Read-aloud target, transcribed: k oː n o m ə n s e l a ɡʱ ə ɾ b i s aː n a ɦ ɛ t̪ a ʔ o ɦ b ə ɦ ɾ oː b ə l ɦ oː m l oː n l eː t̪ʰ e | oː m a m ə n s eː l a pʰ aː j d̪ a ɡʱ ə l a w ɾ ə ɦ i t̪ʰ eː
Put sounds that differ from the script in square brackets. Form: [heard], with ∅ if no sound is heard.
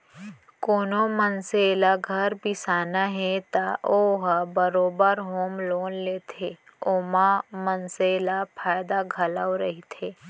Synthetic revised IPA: k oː n o m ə n s e l a ɡʱ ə ɾ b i s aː n a ɦ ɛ t̪ a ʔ o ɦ b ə [∅] ɾ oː b ə [ɾ] ɦ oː m l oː n l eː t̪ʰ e | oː m a m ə n s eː l a pʰ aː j d̪ a ɡʱ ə l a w ɾ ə ɦ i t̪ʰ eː